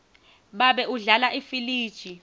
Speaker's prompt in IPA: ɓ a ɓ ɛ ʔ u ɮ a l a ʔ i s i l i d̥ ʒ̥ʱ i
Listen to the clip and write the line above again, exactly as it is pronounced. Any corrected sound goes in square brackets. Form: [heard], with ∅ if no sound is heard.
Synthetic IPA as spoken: ɓ a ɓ ɛ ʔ u ɮ a l a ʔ i [f] i l [iː] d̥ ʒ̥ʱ i